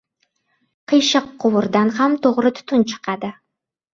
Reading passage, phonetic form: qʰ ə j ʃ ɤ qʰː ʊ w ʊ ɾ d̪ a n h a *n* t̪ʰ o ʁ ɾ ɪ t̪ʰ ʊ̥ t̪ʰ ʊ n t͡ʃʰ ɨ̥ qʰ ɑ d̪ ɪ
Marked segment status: incorrect: m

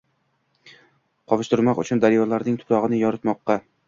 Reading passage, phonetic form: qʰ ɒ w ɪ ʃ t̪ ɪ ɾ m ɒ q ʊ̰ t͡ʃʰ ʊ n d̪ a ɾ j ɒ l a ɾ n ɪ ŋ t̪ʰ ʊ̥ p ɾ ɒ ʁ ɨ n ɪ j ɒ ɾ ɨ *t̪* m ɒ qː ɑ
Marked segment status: correct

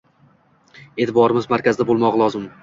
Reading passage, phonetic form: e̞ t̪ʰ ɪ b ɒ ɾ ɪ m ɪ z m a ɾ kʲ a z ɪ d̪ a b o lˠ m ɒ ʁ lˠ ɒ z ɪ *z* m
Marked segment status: incorrect: none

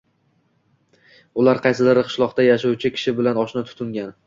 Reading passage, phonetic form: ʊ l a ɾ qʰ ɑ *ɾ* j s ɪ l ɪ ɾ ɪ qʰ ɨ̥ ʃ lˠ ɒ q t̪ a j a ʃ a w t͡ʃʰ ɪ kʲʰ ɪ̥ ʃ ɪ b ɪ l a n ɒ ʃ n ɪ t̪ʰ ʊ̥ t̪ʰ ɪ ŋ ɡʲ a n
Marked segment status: incorrect: none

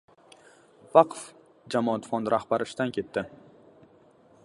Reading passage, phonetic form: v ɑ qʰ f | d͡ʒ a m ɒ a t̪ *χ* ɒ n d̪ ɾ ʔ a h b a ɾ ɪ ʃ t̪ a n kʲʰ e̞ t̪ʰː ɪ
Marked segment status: incorrect: f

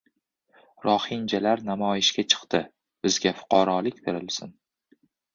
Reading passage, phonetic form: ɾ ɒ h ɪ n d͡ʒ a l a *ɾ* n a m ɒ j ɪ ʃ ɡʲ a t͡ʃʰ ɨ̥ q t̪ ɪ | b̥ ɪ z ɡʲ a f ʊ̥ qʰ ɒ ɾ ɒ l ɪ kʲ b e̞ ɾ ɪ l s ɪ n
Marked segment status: correct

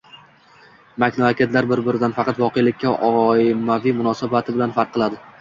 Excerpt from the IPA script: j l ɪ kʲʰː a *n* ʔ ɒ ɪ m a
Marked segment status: incorrect: none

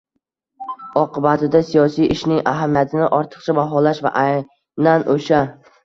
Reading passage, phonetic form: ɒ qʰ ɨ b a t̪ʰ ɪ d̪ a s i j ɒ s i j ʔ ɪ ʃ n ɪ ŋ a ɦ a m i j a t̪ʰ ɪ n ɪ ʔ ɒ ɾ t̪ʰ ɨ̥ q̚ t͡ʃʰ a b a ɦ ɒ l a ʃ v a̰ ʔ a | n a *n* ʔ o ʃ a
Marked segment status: correct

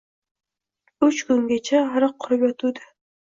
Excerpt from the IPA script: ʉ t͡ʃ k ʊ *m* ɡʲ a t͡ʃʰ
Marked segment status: incorrect: ŋ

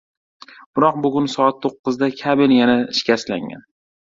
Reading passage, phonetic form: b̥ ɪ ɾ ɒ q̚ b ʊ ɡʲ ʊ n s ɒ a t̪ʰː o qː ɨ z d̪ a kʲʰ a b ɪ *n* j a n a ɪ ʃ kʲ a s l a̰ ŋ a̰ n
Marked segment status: correct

